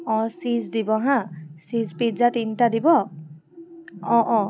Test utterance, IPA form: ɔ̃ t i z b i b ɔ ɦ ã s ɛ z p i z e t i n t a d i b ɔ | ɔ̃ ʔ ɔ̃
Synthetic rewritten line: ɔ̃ s i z d i b ɔ ɦ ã s i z p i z a t i n t a d i b ɔ | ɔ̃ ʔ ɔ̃